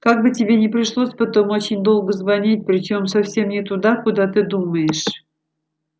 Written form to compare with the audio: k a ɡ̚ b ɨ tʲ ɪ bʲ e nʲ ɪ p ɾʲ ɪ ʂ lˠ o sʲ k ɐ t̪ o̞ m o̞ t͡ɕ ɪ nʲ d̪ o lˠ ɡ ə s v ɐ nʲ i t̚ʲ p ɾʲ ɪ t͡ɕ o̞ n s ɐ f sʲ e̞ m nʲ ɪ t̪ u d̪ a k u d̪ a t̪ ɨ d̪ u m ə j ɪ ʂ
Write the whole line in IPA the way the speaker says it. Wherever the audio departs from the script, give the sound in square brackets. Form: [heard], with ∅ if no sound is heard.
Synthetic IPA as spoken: k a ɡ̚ b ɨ tʲ ɪ bʲ e nʲ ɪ p ɾʲ ɪ ʂ lˠ o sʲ [p] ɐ t̪ o̞ m o̞ t͡ɕ ɪ nʲ d̪ o lˠ ɡ ə [z] v ɐ nʲ i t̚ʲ p ɾʲ ɪ t͡ɕ o̞ [m] s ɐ f sʲ e̞ m nʲ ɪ t̪ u d̪ a k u d̪ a t̪ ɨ d̪ u m ə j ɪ ʂ